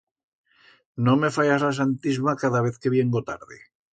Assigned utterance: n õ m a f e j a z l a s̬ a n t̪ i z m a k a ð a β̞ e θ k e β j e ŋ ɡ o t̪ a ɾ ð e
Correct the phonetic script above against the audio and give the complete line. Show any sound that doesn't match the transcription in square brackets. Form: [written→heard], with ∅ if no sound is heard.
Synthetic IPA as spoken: n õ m [a→e] f [e→a] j a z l a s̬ a n t̪ i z m a k a ð a β̞ e θ k e β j e ŋ ɡ o t̪ a ɾ ð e